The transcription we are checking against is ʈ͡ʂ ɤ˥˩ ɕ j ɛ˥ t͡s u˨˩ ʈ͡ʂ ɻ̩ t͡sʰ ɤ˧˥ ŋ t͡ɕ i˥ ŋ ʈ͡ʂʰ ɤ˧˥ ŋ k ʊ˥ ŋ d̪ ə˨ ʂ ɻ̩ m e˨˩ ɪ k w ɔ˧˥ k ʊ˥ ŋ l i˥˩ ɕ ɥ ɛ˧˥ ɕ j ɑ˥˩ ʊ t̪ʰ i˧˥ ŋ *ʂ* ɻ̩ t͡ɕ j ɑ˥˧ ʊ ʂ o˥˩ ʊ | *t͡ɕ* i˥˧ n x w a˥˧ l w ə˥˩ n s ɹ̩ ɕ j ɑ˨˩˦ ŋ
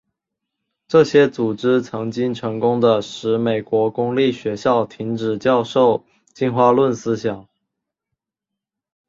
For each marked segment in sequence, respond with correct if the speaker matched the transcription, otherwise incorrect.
incorrect, correct

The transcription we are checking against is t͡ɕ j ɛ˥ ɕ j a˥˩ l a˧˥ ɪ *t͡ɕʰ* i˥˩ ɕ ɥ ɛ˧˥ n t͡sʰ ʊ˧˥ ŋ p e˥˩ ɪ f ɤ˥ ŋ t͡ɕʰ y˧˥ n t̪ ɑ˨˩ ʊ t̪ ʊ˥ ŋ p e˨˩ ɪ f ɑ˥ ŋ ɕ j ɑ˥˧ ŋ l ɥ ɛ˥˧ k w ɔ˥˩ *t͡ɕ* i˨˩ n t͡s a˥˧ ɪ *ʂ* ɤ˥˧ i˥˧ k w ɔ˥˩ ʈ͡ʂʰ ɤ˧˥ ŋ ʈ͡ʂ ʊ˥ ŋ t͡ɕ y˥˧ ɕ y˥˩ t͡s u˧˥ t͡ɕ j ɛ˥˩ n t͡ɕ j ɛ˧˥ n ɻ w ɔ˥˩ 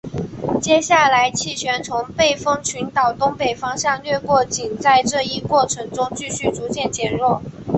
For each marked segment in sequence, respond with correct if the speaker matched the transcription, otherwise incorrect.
correct, correct, incorrect

